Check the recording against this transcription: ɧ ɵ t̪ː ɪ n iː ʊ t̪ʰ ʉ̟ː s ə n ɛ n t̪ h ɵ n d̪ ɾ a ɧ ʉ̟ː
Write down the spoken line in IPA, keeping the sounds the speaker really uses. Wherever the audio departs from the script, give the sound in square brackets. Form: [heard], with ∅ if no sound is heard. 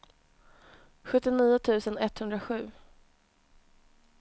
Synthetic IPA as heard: ɧ ɵ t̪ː ɪ n iː ʊ t̪ʰ ʉ̟ː s ə n ɛ [∅] t̪ h ɵ n d̪ ɾ a ɧ ʉ̟ː